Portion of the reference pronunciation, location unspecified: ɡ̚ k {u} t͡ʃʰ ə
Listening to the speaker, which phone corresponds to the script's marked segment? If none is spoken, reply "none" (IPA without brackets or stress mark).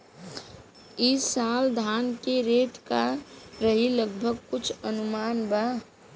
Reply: ʊ